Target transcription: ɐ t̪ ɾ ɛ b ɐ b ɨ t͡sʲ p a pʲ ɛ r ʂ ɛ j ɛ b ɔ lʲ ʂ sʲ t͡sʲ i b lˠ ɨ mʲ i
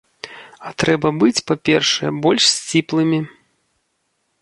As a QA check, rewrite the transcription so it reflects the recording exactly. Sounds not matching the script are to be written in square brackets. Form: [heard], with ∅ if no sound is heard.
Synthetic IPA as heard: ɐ t̪ ɾ ɛ b ɐ b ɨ t͡sʲ p a pʲ ɛ r ʂ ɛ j ɛ b ɔ lʲ ʂ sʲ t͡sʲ i [p] lˠ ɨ mʲ i